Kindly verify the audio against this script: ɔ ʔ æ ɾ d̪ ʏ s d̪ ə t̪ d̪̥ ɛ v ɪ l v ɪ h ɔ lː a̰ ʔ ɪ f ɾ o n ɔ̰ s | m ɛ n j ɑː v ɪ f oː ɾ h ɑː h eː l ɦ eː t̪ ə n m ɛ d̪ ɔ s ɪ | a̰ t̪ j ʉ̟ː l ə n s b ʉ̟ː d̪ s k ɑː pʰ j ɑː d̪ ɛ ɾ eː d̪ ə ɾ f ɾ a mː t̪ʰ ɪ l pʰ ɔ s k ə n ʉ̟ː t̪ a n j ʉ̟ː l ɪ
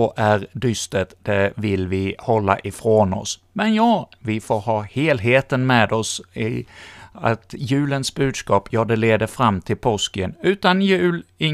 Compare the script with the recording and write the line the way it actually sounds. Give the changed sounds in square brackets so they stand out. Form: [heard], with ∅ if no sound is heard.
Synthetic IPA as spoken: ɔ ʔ æ ɾ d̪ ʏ s [t̪] ə t̪ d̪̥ ɛ v ɪ l v ɪ h ɔ lː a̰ ʔ ɪ f ɾ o n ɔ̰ s | m ɛ n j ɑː v ɪ f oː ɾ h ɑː h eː l ɦ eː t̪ ə n m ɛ d̪ ɔ s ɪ | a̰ t̪ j ʉ̟ː l ə n s b ʉ̟ː d̪ s k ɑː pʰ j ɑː d̪ ɛ [l] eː d̪ ə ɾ f ɾ a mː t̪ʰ ɪ l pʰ ɔ s k ə n ʉ̟ː t̪ a n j ʉ̟ː l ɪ